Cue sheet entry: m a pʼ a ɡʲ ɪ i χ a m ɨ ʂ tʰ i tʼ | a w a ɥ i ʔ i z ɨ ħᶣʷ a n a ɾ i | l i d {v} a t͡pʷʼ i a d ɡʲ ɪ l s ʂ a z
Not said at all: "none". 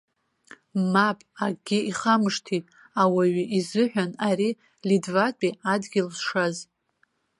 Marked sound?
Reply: v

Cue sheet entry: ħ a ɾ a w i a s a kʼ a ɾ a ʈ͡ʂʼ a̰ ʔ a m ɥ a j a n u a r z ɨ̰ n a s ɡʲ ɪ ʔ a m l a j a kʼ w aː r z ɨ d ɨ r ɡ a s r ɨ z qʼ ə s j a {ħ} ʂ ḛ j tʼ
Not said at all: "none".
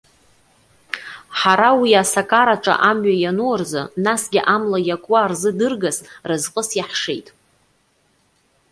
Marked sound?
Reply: ħ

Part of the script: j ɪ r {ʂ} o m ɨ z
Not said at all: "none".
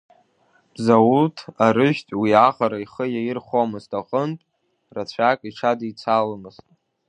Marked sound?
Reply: χ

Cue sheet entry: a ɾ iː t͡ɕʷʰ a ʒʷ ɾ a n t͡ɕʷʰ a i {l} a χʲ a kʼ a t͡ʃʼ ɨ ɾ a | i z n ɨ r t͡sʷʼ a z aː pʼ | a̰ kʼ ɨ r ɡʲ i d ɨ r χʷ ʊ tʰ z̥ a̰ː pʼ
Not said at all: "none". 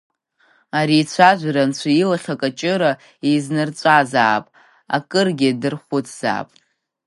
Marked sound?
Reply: l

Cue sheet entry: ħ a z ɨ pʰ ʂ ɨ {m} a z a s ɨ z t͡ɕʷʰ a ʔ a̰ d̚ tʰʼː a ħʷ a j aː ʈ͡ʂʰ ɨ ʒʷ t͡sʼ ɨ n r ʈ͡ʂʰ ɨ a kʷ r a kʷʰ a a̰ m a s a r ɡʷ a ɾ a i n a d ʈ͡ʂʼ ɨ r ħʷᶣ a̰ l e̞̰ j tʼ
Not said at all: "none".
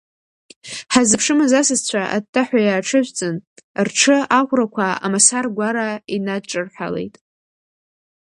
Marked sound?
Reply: m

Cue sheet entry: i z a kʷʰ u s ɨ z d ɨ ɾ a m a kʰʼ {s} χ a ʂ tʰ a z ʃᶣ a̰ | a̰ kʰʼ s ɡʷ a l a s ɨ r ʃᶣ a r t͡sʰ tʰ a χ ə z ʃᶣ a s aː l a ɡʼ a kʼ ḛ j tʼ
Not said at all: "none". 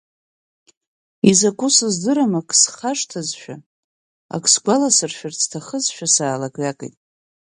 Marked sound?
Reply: s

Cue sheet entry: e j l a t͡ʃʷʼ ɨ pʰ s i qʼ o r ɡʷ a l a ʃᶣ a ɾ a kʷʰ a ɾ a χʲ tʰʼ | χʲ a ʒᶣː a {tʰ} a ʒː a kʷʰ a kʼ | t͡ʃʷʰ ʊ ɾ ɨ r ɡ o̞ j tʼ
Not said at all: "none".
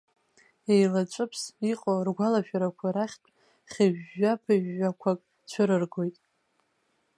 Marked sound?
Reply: pʰ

